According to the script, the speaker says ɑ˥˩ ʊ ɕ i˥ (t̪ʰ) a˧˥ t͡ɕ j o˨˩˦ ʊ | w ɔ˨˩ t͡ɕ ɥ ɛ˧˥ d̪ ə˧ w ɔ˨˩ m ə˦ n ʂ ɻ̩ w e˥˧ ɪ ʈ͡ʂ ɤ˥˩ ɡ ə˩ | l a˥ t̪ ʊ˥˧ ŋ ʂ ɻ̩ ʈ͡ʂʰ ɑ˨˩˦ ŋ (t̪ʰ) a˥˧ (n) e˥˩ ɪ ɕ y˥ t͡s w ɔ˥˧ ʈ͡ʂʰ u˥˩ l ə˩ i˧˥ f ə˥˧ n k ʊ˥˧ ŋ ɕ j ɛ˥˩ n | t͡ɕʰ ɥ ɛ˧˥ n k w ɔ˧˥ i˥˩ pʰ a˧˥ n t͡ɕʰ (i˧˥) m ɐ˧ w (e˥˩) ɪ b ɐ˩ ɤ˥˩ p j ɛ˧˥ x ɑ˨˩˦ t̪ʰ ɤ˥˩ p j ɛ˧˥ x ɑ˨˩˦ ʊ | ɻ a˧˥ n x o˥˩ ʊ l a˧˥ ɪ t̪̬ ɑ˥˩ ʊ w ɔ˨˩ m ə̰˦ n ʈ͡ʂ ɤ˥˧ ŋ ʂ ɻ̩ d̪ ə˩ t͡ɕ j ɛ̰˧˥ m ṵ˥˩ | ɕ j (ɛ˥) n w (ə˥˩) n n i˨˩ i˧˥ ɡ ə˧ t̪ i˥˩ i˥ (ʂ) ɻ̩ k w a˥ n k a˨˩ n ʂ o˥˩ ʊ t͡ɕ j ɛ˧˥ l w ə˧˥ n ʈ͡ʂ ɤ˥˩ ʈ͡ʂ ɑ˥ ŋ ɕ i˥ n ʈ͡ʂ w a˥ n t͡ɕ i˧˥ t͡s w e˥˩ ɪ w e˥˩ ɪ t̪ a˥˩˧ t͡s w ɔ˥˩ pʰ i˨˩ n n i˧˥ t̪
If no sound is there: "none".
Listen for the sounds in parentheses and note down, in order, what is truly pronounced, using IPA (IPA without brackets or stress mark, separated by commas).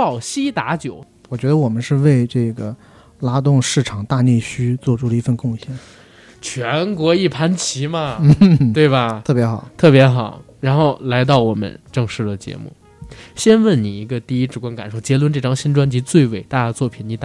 t̪, t̪, n, i˧˥, e˥˩, ɛ˥, ə˥˩, ʈ͡ʂ